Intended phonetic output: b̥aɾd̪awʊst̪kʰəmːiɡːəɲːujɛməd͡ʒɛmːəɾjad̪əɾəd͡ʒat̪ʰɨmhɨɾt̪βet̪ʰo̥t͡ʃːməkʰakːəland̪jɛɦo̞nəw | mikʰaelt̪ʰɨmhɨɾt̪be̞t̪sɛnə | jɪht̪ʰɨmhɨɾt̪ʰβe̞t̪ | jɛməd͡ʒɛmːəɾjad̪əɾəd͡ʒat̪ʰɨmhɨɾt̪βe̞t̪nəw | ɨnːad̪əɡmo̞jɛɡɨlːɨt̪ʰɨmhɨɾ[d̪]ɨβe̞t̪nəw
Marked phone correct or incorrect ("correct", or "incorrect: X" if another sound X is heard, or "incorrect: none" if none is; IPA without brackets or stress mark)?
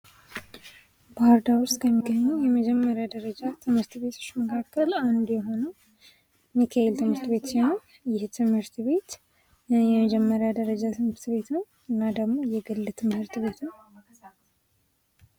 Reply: incorrect: t̪